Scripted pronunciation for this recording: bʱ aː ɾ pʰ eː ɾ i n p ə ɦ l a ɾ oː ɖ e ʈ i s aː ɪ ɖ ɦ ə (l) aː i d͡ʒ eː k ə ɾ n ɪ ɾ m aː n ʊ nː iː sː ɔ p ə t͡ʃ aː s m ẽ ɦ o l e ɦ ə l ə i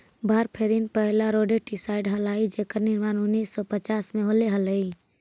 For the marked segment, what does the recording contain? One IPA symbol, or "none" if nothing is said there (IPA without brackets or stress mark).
l